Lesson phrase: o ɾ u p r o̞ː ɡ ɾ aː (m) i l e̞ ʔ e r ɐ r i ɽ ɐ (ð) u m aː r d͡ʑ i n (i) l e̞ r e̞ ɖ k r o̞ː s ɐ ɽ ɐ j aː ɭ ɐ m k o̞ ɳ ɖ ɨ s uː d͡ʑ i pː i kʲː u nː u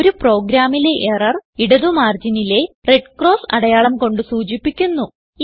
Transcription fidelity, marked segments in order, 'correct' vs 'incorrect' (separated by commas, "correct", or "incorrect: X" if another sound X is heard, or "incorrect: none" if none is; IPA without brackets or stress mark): correct, correct, correct